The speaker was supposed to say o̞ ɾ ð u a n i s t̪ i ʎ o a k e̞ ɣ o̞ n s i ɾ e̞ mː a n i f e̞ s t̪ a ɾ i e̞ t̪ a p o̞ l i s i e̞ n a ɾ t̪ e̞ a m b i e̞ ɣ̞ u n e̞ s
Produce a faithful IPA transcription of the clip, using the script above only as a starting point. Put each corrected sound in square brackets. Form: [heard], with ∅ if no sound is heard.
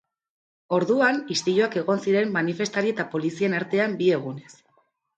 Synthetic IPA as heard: o̞ ɾ ð u a n i s t̪ i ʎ o a k e̞ ɣ o̞ n s i ɾ e̞ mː a n i f e̞ s t̪ a ɾ i e̞ t̪ a p o̞ l i s i e̞ n a ɾ t̪ e̞ a m b i e̞ ɣ̞ u n e̞ s

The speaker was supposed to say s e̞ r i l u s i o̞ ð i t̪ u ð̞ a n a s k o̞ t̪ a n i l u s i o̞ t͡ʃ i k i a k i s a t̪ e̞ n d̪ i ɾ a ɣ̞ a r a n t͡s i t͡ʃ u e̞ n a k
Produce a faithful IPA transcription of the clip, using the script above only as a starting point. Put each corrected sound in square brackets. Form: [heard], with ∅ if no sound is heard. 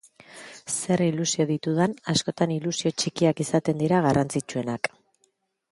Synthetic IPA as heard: s e̞ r i l u s i o̞ ð i t̪ u ð̞ a n a s k o̞ t̪ a n i l u s i o̞ t͡ʃ i k i a k i s a t̪ e̞ n d̪ i ɾ a ɣ̞ a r a n t͡s i t͡ʃ u e̞ n a k

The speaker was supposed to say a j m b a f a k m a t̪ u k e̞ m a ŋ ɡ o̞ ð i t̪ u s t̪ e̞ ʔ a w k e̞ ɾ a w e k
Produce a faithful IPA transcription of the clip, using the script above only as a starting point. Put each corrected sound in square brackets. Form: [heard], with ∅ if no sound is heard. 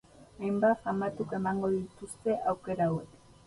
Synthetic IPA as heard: a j m b a f a [∅] m a t̪ u k e̞ m a ŋ ɡ o̞ ð i t̪ u s t̪ e̞ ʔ a w k e̞ ɾ a w e k

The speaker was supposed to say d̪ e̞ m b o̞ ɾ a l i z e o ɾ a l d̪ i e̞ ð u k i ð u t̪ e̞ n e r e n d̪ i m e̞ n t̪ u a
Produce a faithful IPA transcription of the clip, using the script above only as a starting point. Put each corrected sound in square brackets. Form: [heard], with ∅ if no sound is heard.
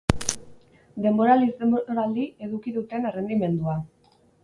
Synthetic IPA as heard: d̪ e̞ m b o̞ ɾ a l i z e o ɾ a l d̪ i e̞ ð u k i ð u t̪ e̞ n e r e n d̪ i m e̞ n [d̪] u a

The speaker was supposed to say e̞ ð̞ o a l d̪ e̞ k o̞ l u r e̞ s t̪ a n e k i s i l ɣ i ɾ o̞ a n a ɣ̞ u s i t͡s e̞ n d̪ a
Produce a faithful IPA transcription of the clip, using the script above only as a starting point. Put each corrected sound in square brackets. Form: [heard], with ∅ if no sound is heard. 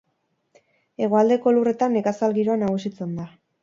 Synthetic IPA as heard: e̞ [ɣ̞] o a l d̪ e̞ k o̞ l u r e̞ [∅] t̪ a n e k [a] s [a] l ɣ i ɾ o̞ a n a ɣ̞ u s i t͡s e̞ n d̪ a

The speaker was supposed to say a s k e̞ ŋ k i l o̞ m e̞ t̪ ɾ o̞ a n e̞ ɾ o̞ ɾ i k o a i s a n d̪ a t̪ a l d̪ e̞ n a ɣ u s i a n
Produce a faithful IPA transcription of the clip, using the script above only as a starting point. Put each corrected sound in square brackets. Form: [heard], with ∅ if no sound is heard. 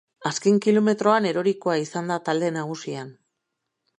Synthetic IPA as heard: a s k e̞ ŋ k i l o̞ m e̞ t̪ ɾ o̞ a n e̞ ɾ o̞ ɾ i k o a i s a n d̪ a t̪ a l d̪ e̞ n a ɣ u s i a n

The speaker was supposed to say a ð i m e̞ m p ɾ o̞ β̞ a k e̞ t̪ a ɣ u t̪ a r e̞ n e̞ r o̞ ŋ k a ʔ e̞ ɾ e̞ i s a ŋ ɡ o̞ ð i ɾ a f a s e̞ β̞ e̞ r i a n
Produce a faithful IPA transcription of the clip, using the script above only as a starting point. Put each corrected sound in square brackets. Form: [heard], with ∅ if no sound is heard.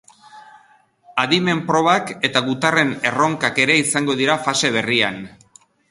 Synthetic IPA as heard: a ð i m e̞ m p ɾ o̞ β̞ a k e̞ t̪ a ɣ u t̪ a r e̞ n e̞ r o̞ ŋ k a [k] e̞ ɾ e̞ i s a ŋ ɡ o̞ ð i ɾ a f a s e̞ β̞ e̞ r i a n

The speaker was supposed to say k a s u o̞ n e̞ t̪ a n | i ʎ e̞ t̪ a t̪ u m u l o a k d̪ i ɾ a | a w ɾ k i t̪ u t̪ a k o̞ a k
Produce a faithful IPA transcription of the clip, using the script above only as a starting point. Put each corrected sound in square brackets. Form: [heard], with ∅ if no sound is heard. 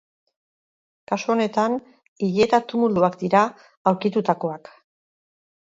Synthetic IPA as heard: k a s u o̞ n e̞ t̪ a n | i ʎ e̞ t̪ a t̪ u m u l [u] a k d̪ i ɾ a | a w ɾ k i t̪ u t̪ a k o̞ a k

